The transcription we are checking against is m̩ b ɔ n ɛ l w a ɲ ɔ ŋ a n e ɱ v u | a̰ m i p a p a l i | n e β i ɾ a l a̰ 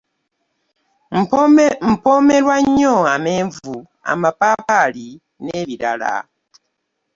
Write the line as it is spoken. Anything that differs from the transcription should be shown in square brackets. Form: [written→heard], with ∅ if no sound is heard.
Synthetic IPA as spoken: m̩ [b→p] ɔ [n→m] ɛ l w a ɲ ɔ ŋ a [n→m] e ɱ v u | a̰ m [i→a] p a p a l i | n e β i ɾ a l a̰